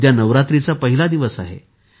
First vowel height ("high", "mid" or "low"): low